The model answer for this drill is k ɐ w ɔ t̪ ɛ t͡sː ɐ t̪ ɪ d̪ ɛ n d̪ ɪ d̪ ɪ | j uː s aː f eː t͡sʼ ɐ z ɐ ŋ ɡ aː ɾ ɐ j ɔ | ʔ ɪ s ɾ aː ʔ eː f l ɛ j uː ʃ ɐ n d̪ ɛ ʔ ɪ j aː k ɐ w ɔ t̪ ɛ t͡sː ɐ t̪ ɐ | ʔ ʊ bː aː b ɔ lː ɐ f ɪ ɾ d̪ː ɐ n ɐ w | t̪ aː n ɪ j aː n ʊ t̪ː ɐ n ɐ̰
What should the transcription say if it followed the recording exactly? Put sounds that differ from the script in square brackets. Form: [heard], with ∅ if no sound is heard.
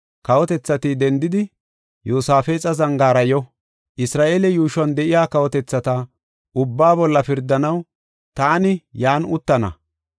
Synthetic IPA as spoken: k ɐ w ɔ t̪ ɛ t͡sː ɐ t̪ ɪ d̪ ɛ n d̪ ɪ d̪ ɪ | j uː s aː f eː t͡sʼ ɐ z ɐ ŋ ɡ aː ɾ ɐ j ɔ | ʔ ɪ s ɾ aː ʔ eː [∅] l ɛ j uː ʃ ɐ n d̪ ɛ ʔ ɪ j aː k ɐ w ɔ t̪ ɛ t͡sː ɐ t̪ ɐ | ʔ ʊ bː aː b ɔ lː ɐ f ɪ ɾ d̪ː ɐ n ɐ w | t̪ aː n ɪ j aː n ʊ t̪ː ɐ n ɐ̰